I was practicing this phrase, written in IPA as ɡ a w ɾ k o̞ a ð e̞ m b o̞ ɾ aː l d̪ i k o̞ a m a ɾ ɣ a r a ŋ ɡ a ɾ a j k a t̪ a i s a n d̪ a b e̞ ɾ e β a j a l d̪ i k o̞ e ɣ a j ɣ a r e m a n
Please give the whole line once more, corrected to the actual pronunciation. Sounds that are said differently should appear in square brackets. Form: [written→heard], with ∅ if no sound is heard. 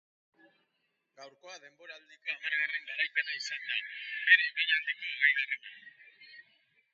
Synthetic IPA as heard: ɡ a w ɾ k o̞ a ð e̞ m b o̞ ɾ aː l d̪ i k o̞ a m a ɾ ɣ a r [a→e] ŋ ɡ a ɾ a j k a t̪ a i s a n d̪ a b e̞ ɾ e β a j a l d̪ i k o̞ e ɣ a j ɣ a r e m a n